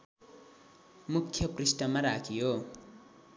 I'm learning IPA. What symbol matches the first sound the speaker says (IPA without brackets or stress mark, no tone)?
m